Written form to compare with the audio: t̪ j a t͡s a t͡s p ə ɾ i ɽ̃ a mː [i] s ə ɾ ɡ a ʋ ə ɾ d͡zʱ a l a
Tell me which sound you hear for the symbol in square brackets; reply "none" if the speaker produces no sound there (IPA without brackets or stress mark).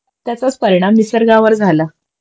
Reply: i